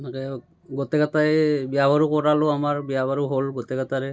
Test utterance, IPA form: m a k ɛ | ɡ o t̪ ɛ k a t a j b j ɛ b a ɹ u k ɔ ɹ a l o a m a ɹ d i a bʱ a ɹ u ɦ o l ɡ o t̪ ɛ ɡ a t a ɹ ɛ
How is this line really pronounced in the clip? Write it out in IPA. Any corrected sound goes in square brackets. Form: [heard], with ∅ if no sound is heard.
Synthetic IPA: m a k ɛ | ɡ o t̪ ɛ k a t a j b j [a] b a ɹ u k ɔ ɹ a l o a m a ɹ [b] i a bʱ a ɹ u ɦ o l ɡ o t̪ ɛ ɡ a t a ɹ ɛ